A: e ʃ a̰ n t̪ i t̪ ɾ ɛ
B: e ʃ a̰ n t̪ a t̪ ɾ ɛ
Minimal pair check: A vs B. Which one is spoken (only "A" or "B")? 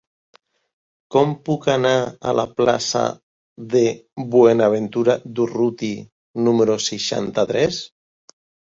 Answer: B